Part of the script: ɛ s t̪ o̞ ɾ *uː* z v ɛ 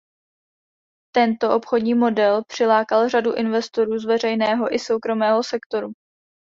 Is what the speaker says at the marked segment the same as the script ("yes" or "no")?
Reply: yes